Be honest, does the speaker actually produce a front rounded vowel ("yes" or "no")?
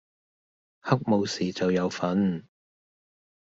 no